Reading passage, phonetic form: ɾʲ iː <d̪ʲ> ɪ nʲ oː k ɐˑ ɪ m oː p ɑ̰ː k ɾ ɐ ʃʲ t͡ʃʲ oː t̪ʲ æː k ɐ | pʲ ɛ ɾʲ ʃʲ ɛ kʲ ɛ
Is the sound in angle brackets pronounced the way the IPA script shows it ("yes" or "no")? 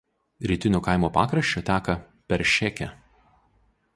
no